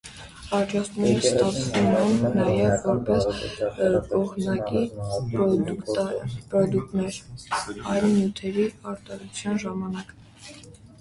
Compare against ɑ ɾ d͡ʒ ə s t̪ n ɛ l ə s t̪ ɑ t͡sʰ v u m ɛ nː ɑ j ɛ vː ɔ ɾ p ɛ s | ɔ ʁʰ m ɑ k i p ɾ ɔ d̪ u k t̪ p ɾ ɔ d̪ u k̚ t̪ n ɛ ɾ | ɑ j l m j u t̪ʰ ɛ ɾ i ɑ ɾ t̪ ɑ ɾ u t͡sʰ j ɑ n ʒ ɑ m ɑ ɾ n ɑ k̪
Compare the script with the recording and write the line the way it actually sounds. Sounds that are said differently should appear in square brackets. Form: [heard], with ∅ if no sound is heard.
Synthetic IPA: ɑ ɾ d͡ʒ [ɑ] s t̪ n ɛ [ɾ] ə s t̪ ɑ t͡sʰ v u m ɛ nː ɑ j ɛ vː ɔ ɾ p ɛ s | ɔ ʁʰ [n] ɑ k i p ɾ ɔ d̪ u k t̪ p ɾ ɔ d̪ u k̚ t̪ n ɛ ɾ | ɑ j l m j u t̪ʰ ɛ ɾ i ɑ ɾ t̪ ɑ ɾ u t͡sʰ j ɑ n ʒ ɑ m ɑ [∅] n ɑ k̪